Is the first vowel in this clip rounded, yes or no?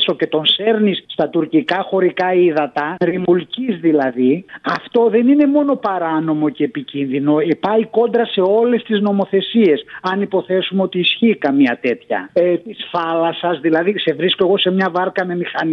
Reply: yes